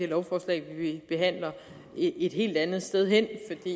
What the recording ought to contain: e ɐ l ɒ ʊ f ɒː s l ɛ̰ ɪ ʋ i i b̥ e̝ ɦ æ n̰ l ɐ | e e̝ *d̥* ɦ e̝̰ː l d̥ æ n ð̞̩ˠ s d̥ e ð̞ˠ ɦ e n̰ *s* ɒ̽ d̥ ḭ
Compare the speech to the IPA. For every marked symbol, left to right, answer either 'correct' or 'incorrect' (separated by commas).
correct, incorrect